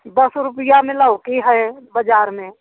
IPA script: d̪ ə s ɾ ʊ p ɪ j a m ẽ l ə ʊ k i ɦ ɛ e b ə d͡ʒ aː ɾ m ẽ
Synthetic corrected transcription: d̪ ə s ɾ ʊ p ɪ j a m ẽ l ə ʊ k i ɦ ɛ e b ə d͡ʒ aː ɾ m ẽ